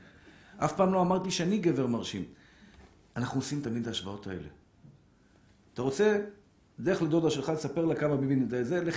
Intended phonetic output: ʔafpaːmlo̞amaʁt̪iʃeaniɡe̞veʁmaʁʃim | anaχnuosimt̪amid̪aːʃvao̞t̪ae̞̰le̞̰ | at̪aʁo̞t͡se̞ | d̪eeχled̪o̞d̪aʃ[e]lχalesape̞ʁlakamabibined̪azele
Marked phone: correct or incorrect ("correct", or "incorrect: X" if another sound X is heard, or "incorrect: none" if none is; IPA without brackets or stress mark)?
correct